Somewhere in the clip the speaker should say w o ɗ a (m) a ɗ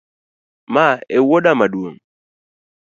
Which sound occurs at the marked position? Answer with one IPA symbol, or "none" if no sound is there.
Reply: m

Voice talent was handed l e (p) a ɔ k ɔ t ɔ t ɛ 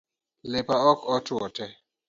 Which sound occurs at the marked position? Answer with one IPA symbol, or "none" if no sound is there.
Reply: p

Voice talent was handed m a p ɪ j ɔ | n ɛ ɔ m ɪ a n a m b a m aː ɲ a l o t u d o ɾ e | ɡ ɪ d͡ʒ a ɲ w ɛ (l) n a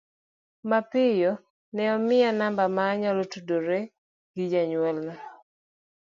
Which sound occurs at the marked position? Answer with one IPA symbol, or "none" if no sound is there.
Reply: l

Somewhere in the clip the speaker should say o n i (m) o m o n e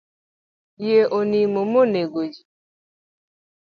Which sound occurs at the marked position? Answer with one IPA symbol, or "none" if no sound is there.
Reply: m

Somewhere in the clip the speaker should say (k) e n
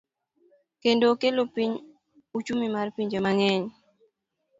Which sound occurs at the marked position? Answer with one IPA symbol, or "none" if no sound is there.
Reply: k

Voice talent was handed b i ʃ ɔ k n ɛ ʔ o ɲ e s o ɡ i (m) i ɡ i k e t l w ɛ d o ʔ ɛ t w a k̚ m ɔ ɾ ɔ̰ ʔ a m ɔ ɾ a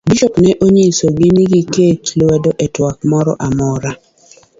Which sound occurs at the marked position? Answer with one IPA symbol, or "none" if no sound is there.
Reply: n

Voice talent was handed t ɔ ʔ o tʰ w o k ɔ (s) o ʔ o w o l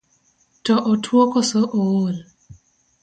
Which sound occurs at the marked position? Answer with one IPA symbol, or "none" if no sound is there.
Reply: s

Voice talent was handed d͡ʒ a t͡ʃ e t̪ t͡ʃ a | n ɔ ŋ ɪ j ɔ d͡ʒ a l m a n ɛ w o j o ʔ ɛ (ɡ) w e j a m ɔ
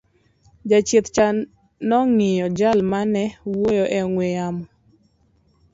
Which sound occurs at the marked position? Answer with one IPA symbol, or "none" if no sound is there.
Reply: ŋ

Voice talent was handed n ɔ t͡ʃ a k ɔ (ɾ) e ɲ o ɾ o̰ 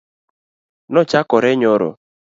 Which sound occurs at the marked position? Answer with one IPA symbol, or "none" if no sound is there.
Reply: ɾ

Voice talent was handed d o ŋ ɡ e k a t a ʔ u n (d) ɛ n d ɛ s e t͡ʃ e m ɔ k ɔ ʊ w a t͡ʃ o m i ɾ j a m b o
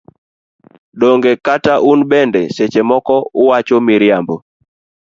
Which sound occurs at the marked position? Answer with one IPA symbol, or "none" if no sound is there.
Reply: b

